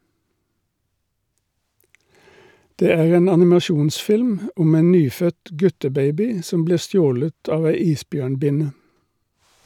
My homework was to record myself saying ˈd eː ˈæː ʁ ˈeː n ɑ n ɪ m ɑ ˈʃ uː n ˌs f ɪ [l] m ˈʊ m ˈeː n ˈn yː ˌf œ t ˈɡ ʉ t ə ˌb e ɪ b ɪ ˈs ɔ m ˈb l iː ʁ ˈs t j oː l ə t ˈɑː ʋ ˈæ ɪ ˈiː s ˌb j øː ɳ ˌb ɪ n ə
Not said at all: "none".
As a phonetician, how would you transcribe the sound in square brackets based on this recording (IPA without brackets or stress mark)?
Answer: l